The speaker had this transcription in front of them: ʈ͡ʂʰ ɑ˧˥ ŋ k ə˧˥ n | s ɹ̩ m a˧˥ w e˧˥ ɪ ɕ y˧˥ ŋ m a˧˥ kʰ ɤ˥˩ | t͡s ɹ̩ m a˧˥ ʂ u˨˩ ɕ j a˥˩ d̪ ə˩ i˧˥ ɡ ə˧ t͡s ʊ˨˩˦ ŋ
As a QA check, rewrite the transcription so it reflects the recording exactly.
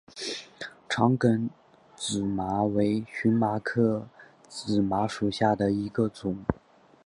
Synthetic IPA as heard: ʈ͡ʂʰ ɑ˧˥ ŋ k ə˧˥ n | t͡s ɹ̩ m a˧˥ w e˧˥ ɪ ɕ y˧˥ n m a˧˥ kʰ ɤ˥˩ | t͡s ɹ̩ m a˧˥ ʂ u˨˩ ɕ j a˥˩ d̪ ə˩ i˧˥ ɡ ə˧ t͡s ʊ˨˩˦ ŋ

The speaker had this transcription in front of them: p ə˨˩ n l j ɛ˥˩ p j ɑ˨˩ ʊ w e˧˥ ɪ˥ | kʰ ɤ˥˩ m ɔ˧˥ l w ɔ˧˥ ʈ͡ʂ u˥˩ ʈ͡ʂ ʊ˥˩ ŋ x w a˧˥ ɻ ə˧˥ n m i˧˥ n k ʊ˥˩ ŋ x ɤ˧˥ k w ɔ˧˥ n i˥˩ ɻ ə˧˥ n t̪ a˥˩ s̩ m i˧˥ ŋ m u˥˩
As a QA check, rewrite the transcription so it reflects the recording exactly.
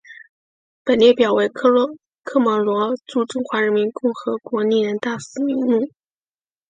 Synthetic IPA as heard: p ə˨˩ n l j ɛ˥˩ p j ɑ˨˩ ʊ w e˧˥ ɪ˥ | kʰ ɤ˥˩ m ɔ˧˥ l w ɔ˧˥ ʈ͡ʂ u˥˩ ʈ͡ʂ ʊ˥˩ ŋ x w a˧˥ ɻ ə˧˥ n m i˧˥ n k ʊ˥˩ ŋ x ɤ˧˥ k w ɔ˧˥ n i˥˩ ɻ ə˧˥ n t̪ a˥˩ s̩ m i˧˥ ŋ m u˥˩

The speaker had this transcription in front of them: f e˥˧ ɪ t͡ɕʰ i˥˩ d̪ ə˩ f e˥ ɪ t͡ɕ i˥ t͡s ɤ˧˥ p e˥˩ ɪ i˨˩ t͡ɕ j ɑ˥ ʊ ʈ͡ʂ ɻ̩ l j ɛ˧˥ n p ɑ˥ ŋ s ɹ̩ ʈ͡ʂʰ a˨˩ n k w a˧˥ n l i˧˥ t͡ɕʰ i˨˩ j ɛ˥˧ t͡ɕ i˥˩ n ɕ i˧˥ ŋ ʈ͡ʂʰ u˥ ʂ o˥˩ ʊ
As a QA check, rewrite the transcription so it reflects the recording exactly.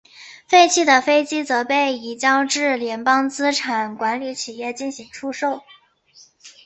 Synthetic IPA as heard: f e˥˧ ɪ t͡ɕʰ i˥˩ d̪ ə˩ f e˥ ɪ t͡ɕ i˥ t͡s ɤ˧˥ p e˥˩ ɪ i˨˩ t͡ɕ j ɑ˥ ʊ ʈ͡ʂ ɻ̩ l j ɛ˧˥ n p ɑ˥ ŋ t͡s ɹ̩ ʈ͡ʂʰ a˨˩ n k w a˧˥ n l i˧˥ t͡ɕʰ i˨˩ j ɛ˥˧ t͡ɕ i˥˩ n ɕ i˧˥ ŋ ʈ͡ʂʰ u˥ ʂ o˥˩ ʊ

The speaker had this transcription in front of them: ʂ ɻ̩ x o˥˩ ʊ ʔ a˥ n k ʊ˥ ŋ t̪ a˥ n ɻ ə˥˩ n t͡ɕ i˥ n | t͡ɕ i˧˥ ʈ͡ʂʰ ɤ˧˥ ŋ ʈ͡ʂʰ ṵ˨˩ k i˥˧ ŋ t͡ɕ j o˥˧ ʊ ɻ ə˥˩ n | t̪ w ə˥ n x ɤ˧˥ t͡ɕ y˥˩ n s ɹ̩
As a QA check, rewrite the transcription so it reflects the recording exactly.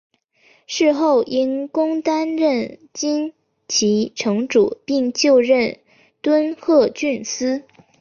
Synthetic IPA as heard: ʂ ɻ̩ x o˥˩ ʊ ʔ i˥ n k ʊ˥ ŋ t̪ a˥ n ɻ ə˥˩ n t͡ɕ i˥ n | t͡ɕʰ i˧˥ ʈ͡ʂʰ ɤ˧˥ ŋ ʈ͡ʂ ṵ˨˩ p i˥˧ ŋ t͡ɕ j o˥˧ ʊ ɻ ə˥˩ n | t̪ w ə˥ n x ɤ˥˧ t͡ɕ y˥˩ n s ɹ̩

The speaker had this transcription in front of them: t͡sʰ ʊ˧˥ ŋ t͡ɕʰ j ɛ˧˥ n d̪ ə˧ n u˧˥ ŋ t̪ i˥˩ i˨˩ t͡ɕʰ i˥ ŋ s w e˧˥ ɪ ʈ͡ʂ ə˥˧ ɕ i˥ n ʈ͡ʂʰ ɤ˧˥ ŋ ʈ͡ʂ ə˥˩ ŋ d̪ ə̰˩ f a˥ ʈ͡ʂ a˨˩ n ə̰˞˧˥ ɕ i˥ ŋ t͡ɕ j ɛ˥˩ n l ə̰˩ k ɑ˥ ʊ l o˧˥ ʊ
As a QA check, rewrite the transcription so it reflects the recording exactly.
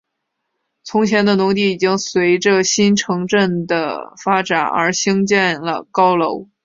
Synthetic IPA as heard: t͡sʰ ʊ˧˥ ŋ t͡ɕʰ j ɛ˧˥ n d̪ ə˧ n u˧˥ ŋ t̪ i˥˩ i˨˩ t͡ɕ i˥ ŋ s w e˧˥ ɪ ʈ͡ʂ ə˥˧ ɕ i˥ n ʈ͡ʂʰ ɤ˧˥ ŋ ʈ͡ʂ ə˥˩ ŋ d̪ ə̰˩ f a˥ ʈ͡ʂ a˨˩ n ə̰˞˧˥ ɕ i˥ ŋ t͡ɕ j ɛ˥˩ n l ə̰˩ k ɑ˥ ʊ l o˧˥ ʊ

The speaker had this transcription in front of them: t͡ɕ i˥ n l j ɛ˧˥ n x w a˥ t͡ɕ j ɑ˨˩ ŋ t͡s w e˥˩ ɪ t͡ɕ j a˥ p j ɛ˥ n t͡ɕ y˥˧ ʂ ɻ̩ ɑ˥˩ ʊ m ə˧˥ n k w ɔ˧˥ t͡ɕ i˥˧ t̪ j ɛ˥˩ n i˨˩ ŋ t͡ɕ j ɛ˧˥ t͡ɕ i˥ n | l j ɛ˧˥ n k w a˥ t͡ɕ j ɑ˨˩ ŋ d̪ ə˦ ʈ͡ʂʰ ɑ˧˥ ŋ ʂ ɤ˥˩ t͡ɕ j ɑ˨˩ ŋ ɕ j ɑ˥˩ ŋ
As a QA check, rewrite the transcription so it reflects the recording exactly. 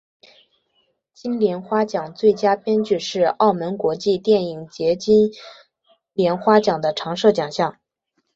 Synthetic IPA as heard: t͡ɕ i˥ n l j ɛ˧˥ n x w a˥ t͡ɕ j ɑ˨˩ ŋ t͡s w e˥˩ ɪ t͡ɕ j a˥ p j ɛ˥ n t͡ɕ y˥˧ ʂ ɻ̩ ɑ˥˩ ʊ m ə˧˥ n k w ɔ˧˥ t͡ɕ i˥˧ t̪ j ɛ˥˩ n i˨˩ ŋ t͡ɕ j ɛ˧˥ t͡ɕ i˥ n | l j ɛ˧˥ n x w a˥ t͡ɕ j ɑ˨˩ ŋ d̪ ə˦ ʈ͡ʂʰ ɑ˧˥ ŋ ʂ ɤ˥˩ t͡ɕ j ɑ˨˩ ŋ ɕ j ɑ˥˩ ŋ

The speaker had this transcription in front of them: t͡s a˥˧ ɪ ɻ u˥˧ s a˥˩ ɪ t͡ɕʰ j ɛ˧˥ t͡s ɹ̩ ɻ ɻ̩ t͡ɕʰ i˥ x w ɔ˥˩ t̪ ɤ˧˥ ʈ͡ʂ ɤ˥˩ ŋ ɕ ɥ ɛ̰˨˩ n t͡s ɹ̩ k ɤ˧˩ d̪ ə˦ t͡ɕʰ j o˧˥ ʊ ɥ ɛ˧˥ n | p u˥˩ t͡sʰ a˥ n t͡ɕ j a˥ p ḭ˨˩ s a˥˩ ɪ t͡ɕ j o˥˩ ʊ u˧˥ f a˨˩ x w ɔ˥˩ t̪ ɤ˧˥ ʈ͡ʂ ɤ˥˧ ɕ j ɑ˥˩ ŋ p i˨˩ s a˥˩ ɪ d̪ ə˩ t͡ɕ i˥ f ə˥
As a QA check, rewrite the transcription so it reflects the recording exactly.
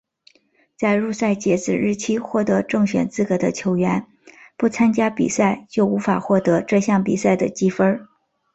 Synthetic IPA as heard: t͡s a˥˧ ɪ ɻ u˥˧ s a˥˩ ɪ t͡ɕ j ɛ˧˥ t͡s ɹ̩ ɻ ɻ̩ t͡ɕʰ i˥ x w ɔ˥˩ t̪ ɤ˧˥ ʈ͡ʂ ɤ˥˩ ŋ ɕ ɥ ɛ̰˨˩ n t͡s ɹ̩ k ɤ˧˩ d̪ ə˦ t͡ɕʰ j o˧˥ ʊ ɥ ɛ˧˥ n | p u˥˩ t͡sʰ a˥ n t͡ɕ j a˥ p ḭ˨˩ s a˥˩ ɪ t͡ɕ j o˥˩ ʊ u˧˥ f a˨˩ x w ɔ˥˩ t̪ ɤ˧˥ ʈ͡ʂ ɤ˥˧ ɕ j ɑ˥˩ ŋ p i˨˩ s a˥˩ ɪ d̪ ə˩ t͡ɕ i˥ f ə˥

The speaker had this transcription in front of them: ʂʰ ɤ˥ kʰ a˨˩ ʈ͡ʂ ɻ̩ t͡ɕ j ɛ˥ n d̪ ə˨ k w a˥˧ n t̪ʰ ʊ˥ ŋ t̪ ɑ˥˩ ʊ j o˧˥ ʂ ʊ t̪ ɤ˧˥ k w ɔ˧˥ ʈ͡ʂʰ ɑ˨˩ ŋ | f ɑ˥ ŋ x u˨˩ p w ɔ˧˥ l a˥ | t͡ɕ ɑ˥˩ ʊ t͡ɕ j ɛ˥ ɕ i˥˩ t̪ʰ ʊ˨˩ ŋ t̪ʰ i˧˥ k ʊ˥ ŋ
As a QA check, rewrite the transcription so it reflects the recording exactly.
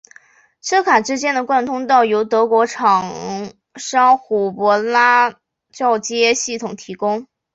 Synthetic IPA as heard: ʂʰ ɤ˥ kʰ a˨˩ ʈ͡ʂ ɻ̩ t͡ɕ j ɛ˥ n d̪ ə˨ k w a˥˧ n t̪ʰ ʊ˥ ŋ t̪ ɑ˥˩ ʊ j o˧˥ ʊ t̪ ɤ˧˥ k w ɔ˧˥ ʈ͡ʂʰ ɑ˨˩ ŋ | ʂ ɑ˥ ŋ x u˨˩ p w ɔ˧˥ l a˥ | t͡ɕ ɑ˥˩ ʊ t͡ɕ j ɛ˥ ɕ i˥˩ t̪ʰ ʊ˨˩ ŋ t̪ʰ i˧˥ k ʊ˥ ŋ

